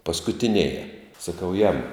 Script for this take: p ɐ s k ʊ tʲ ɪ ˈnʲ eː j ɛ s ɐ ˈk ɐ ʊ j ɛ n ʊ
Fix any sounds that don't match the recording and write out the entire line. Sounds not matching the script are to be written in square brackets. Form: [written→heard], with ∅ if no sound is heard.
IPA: p ɐ s k ʊ tʲ ɪ ˈnʲ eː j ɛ s ɐ ˈk ɐ ʊ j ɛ [n→m] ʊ